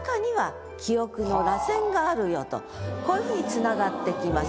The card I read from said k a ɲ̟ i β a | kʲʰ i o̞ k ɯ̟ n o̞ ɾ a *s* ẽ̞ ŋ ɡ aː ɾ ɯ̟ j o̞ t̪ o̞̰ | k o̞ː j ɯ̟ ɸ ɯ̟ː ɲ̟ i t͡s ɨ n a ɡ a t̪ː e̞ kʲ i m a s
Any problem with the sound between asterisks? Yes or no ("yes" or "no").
no